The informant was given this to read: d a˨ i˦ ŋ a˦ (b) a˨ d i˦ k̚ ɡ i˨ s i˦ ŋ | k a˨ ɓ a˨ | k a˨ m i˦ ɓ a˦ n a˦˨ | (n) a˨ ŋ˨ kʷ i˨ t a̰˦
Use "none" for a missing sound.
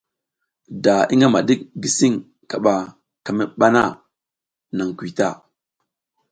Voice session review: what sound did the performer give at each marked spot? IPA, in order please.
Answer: m, n

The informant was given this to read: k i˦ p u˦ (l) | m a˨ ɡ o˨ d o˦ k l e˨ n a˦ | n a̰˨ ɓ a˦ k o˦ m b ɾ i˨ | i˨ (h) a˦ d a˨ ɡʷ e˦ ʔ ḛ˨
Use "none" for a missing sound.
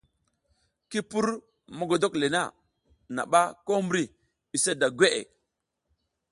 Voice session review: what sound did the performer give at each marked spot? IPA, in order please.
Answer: ɾ, s

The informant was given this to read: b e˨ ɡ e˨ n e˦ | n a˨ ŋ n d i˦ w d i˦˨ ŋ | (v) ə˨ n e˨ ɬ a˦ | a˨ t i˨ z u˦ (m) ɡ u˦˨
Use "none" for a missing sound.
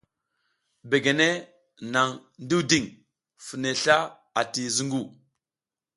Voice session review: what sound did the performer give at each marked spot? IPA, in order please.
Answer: f, ŋ

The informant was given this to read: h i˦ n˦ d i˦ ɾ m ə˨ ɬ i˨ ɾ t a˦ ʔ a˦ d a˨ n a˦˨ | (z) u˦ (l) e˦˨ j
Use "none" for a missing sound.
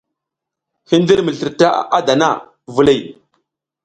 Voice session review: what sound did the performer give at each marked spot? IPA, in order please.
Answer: v, l

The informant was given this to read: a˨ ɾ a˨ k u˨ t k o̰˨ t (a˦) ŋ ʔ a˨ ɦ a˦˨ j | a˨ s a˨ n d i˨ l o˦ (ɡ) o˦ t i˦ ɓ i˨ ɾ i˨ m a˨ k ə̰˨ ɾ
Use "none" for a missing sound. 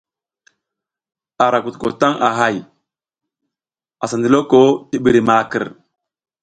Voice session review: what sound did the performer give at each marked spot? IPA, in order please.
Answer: a˦, k

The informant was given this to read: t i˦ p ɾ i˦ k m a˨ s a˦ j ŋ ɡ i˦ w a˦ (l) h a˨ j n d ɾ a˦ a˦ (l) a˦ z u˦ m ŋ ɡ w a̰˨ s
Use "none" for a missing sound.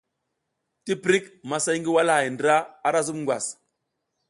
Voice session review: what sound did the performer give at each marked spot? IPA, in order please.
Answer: l, ɾ

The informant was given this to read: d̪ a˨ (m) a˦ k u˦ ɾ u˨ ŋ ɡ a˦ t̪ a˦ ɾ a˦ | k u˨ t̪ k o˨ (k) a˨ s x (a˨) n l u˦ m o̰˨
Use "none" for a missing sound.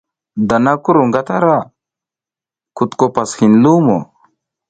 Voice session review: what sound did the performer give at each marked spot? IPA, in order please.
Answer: n, p, i˨

